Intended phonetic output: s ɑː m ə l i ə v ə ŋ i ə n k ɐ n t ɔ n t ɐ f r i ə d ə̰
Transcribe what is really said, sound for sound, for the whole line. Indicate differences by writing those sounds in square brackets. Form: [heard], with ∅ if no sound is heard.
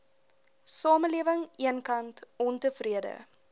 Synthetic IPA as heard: s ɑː m ə l i ə v ə ŋ i ə n k ɐ n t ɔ n t [ə] f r i ə d ə̰